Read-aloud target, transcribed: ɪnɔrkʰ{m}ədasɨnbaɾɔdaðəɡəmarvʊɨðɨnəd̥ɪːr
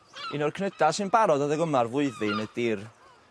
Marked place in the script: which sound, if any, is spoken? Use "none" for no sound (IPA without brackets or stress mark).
n